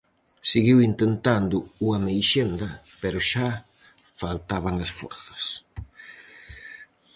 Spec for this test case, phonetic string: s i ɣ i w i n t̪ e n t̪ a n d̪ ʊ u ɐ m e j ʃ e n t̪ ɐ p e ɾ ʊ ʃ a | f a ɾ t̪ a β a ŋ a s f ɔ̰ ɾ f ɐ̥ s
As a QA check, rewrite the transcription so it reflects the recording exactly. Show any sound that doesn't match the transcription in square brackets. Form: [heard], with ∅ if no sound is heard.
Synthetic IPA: s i ɣ i w i n t̪ e n t̪ a n d̪ ʊ u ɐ m e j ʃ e n [d̪] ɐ p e ɾ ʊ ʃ a | f a [l] t̪ a β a ŋ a s f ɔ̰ ɾ [θ] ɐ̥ s